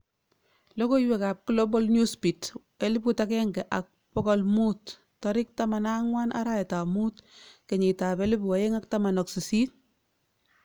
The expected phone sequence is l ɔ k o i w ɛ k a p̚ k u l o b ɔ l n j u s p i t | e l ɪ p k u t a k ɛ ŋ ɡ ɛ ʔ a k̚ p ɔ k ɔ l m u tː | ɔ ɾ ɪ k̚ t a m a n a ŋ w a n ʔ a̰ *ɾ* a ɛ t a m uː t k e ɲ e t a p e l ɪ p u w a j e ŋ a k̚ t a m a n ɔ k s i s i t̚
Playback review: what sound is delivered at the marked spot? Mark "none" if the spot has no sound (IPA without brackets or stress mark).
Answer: ɾ